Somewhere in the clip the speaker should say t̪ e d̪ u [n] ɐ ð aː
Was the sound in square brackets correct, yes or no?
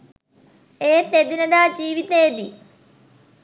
yes